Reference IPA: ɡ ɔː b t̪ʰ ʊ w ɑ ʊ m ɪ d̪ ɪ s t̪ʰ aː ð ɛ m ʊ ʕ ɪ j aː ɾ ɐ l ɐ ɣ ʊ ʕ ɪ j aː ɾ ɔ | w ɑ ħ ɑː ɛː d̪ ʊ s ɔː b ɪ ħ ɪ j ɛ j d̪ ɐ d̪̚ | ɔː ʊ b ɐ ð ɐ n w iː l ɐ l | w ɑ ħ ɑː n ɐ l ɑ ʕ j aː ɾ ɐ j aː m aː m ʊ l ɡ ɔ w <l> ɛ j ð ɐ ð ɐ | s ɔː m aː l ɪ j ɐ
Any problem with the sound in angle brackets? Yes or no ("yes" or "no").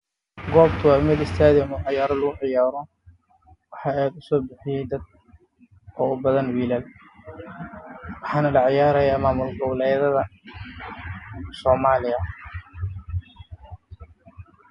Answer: no